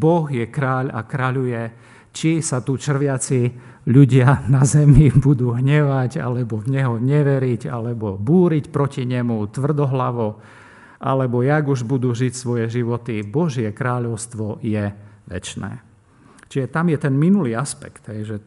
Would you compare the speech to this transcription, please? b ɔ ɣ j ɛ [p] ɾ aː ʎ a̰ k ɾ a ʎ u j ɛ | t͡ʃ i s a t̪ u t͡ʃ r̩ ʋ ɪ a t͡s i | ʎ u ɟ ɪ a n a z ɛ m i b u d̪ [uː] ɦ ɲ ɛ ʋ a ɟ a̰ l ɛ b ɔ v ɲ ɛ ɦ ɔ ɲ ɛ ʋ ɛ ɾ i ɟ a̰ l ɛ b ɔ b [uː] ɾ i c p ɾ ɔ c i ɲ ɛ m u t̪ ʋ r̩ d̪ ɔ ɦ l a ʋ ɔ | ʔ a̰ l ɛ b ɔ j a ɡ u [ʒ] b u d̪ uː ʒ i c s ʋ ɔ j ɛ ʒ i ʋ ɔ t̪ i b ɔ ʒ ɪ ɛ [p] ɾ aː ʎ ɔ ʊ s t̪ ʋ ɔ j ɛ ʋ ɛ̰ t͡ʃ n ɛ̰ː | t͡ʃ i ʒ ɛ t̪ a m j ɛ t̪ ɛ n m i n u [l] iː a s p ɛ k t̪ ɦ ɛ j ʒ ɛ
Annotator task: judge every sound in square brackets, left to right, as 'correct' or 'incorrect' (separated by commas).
incorrect, correct, correct, correct, incorrect, correct